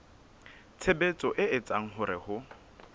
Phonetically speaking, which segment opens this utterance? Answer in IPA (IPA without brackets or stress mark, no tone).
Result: t͡sʰ